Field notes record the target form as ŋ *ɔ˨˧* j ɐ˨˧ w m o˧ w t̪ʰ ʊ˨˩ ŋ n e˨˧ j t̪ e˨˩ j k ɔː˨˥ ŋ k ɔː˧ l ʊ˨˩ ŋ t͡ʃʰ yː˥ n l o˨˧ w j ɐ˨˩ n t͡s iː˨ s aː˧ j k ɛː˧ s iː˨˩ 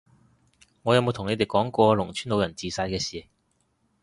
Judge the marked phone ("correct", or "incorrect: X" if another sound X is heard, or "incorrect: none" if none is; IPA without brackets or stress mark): correct